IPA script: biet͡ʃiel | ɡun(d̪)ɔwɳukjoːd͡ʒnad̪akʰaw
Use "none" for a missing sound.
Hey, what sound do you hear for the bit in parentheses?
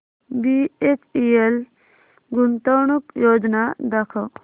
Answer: t̪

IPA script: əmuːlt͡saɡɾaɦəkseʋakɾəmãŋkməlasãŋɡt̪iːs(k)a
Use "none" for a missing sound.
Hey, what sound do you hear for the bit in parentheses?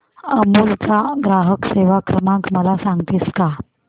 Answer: k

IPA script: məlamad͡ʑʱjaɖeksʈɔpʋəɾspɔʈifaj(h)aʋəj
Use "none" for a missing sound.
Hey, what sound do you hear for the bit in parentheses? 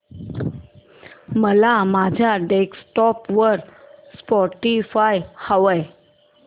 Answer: h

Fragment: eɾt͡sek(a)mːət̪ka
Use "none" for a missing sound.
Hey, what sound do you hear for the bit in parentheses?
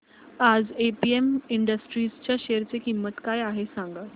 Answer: i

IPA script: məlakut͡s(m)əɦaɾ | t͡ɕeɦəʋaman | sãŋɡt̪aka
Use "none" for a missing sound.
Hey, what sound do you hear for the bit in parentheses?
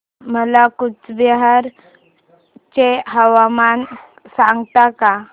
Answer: b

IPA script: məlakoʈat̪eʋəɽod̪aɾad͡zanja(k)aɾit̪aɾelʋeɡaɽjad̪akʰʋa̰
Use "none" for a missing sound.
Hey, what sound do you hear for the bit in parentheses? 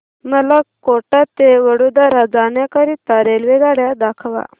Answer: k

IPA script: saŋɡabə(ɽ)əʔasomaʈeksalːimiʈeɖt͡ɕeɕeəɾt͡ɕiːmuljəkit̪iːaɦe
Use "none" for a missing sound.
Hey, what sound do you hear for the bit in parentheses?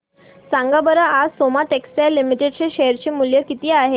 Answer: ɾ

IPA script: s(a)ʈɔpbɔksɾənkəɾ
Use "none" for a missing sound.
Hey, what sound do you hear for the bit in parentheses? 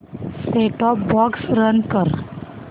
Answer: e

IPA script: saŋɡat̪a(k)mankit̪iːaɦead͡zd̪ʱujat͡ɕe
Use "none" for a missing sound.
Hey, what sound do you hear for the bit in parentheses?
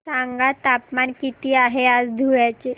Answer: p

